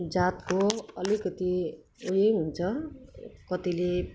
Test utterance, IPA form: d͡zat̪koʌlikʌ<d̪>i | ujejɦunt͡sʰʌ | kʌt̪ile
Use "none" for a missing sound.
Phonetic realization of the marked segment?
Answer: t̪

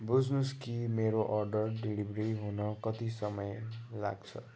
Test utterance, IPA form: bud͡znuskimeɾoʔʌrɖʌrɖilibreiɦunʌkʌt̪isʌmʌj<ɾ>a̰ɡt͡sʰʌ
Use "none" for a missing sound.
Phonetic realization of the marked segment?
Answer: l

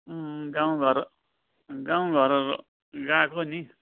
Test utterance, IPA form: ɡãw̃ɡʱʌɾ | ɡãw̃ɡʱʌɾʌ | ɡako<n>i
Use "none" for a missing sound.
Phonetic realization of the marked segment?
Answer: n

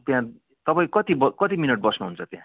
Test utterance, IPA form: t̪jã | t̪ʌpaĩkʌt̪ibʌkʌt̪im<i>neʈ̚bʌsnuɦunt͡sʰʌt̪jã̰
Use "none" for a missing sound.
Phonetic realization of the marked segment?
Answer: i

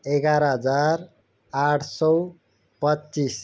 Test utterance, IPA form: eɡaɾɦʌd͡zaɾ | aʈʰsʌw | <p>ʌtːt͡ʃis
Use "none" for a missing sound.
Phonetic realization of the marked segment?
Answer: p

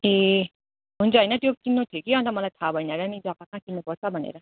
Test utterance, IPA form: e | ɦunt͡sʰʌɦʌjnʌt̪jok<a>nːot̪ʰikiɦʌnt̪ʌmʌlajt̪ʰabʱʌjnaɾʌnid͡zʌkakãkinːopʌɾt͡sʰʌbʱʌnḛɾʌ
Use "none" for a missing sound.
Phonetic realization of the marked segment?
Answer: i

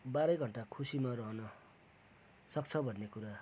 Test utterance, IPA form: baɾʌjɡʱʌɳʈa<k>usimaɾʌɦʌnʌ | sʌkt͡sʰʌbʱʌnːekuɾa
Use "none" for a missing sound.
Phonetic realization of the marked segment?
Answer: kʰ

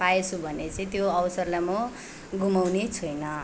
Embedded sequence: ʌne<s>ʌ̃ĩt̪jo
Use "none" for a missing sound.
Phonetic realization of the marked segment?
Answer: t͡s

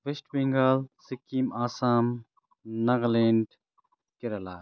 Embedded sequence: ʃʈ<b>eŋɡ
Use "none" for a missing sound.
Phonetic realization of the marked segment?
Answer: b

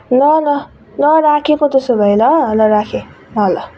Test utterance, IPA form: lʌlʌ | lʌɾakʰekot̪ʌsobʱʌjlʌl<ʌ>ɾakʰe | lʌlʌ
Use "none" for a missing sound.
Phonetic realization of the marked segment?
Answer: ʌ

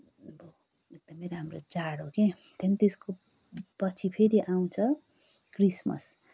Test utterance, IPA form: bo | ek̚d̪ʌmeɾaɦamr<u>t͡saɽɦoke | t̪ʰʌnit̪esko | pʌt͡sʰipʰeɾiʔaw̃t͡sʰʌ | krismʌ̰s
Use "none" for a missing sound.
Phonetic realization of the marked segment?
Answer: o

